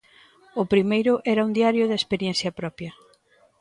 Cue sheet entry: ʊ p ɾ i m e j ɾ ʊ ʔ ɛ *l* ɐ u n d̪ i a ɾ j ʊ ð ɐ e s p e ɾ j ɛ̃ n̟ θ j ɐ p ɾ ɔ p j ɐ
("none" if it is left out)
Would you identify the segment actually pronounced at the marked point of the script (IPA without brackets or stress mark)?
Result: ɾ